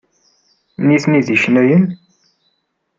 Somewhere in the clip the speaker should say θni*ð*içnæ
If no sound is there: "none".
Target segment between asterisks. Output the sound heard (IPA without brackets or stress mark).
ð